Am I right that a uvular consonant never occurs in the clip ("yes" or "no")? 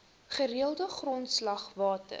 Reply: no